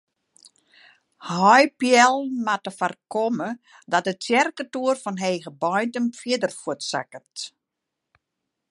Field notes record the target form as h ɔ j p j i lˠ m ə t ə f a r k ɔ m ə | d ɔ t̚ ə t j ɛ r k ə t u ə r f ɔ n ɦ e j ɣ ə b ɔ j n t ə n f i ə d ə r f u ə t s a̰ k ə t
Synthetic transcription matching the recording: h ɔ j p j ɛ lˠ m a t ə f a r k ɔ m ə | d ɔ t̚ ə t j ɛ r k ə t u ə r f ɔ n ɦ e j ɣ ə b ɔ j n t ə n f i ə d ə r f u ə t s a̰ k ə t